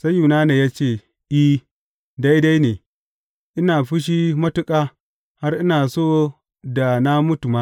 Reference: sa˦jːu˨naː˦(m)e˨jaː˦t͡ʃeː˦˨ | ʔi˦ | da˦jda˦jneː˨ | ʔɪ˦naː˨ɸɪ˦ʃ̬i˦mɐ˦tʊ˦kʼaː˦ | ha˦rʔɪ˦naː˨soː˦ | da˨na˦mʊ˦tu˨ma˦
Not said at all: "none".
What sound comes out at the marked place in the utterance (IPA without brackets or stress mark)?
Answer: n